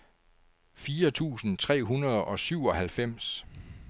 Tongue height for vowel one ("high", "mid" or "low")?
high